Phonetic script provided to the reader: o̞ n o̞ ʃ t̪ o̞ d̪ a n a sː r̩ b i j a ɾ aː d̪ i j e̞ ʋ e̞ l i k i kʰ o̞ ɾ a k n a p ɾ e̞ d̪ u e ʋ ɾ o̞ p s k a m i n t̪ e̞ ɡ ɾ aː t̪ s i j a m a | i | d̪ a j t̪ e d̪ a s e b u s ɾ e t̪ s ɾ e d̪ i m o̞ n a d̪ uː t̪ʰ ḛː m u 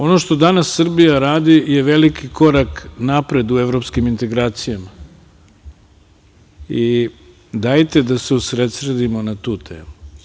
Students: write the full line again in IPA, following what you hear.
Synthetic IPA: o̞ n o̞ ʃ t̪ o̞ d̪ a n a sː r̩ b i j a ɾ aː d̪ i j e̞ ʋ e̞ l i k i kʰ o̞ ɾ a k n a p ɾ e̞ d̪ u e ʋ ɾ o̞ p s k i m i n t̪ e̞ ɡ ɾ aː t̪ s i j a m a | i | d̪ a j t̪ e d̪ a s e u s ɾ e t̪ s ɾ e d̪ i m o̞ n a t̪ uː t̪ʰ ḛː m u